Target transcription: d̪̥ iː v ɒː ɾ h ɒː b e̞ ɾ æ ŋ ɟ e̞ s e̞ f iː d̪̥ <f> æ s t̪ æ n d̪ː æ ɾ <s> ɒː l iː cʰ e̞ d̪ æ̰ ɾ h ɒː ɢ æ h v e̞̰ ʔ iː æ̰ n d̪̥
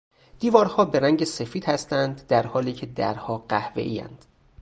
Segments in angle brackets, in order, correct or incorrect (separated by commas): incorrect, incorrect